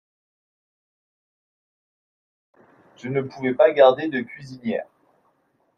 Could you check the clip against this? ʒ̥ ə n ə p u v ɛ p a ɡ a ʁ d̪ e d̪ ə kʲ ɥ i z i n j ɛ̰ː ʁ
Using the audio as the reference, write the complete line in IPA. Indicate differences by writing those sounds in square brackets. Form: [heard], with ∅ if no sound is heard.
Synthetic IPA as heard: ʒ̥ ə n ə p u v ɛ p a ɡ a ʁ d̪ e d̪ ə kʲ ɥ i z i n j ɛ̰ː ʁ

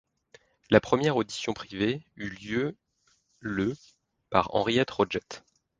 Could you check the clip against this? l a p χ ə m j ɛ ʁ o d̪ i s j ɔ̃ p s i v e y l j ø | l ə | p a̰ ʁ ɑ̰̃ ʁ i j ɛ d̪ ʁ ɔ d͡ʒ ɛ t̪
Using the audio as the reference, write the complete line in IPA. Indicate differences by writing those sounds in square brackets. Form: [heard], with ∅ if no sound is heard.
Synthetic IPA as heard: l a p χ ə m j ɛ ʁ o d̪ i s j ɔ̃ p [χ] i v e y l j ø | l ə | p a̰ ʁ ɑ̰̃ ʁ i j ɛ [t̪] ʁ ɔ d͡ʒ ɛ t̪

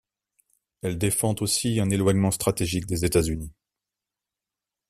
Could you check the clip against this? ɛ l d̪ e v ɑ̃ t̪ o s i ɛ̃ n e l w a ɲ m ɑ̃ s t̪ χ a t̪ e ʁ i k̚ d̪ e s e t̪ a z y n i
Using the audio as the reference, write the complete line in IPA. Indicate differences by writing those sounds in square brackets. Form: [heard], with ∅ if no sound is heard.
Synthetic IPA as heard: ɛ l d̪ e [f] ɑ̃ t̪ o s i ɛ̃ n e l w a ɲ m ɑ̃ s t̪ χ a t̪ e [ʒ] i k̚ d̪ e [z] e t̪ a z y n i

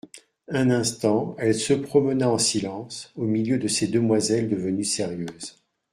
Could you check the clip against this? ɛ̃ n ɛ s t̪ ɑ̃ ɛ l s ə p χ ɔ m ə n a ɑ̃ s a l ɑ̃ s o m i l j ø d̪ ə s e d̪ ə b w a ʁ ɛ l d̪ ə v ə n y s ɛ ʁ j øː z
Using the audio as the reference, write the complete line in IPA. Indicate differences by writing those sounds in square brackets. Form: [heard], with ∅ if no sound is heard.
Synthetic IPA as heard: ɛ̃ n [ɛ̃] s t̪ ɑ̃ ɛ l s ə p χ ɔ m ə n a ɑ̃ s [i] l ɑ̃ s o m i l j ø d̪ ə s e d̪ ə [m] w a [z] ɛ l d̪ ə v ə n y s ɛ ʁ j øː z

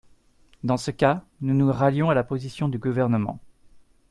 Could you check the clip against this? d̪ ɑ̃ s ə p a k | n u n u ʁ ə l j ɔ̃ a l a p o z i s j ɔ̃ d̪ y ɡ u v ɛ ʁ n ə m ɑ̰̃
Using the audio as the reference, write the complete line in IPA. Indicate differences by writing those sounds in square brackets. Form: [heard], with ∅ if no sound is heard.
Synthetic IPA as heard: d̪ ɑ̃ s ə [k] a [∅] | n u n u ʁ [a] l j ɔ̃ a l a p o z i s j ɔ̃ d̪ y ɡ u v ɛ ʁ n ə m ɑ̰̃

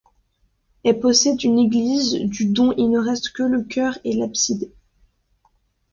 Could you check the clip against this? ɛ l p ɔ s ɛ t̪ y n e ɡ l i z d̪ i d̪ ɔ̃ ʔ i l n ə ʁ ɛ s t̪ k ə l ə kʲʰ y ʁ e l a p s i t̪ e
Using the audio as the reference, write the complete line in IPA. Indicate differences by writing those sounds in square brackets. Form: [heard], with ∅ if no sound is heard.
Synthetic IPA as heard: ɛ l p ɔ s ɛ [d̪] y n e ɡ l i z d̪ [y] d̪ ɔ̃ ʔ i l n ə ʁ ɛ s t̪ k ə l ə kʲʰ [œ] ʁ e l a p s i [d̪] e

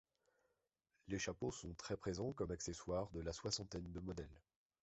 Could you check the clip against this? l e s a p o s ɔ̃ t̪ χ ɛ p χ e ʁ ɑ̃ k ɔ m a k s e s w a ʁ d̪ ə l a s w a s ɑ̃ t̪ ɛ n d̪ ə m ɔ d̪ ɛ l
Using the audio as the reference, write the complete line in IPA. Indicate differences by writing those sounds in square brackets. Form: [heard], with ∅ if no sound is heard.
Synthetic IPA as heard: l e [ʃ] a p o s ɔ̃ t̪ χ ɛ p χ e [z] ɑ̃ k ɔ m a k s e s w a ʁ d̪ ə l a s w a s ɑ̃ t̪ ɛ n d̪ ə m ɔ d̪ ɛ l

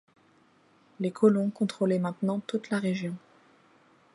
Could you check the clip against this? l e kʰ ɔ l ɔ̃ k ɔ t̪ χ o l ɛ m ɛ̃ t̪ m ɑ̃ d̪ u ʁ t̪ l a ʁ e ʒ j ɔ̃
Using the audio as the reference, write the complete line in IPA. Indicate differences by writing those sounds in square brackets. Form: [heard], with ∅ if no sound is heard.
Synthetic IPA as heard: l e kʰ ɔ l ɔ̃ k [ɔ̃] t̪ χ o l ɛ m ɛ̃ t̪ [n] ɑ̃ [t̪] u [∅] t̪ l a ʁ e ʒ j ɔ̃

